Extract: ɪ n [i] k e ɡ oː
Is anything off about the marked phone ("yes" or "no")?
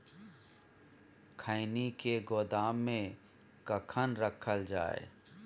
no